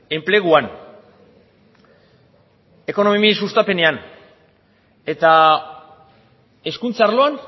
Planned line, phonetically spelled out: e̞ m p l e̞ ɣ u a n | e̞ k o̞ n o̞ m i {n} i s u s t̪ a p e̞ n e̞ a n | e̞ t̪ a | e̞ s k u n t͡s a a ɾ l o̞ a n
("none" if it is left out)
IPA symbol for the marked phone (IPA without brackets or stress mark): m